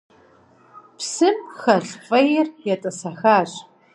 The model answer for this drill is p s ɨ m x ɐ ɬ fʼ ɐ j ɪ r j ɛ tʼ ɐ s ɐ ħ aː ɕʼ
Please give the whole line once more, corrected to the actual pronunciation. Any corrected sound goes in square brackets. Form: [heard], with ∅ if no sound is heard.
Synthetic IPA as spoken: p s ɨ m x ɐ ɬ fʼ ɐ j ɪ r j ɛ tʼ ɐ s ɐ [x] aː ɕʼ

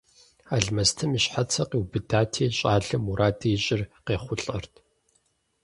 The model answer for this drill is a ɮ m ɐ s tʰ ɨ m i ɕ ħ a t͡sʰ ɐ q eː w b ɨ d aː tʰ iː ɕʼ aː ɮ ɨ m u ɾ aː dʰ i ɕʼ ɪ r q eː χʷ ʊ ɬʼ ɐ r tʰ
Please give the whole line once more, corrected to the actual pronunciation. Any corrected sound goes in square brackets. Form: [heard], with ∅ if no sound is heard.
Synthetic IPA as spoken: a ɮ m ɐ s tʰ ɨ m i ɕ ħ a t͡sʰ ɐ q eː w b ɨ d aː tʰ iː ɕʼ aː ɮ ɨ m u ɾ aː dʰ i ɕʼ ɪ r q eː χʷ ʊ ɬʼ ɐ r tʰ

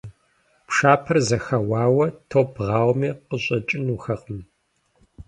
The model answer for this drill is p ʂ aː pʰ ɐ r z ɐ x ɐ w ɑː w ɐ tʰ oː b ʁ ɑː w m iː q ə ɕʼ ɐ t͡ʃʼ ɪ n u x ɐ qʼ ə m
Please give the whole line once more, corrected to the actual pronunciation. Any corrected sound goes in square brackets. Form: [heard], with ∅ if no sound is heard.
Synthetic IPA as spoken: p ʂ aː pʰ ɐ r z ɐ x ɐ w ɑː w ɐ tʰ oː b ʁ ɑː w m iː q ə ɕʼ ɐ t͡ʃʼ ɪ n u x ɐ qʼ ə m

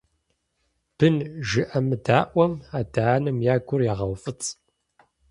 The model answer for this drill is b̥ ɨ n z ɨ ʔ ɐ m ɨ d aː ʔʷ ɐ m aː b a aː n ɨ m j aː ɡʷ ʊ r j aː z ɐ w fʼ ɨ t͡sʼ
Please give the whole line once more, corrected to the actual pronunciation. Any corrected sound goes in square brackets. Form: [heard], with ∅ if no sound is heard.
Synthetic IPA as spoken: b̥ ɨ n [ʒ] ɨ ʔ ɐ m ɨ d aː ʔʷ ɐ m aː [d] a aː n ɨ m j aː ɡʷ ʊ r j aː [ʁ] ɐ w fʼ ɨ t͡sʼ

